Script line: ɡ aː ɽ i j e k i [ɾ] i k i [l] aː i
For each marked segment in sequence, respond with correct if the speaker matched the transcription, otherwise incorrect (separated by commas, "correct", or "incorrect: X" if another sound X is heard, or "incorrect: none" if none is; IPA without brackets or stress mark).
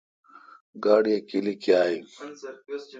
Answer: incorrect: l, incorrect: none